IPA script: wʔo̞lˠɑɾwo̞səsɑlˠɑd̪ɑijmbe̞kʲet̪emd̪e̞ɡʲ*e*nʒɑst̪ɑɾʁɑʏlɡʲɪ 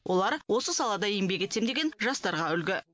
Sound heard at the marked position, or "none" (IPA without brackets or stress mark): e